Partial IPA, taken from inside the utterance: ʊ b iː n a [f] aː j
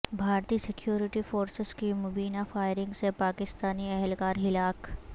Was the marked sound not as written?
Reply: no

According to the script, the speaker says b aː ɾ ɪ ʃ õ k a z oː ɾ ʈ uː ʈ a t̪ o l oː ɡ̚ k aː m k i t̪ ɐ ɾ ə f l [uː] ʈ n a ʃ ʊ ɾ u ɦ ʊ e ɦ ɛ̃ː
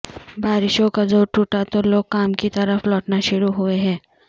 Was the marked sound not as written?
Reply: yes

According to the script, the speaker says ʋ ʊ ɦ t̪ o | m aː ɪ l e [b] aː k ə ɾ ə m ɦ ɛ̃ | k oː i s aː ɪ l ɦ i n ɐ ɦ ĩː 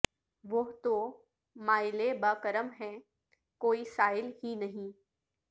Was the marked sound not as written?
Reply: no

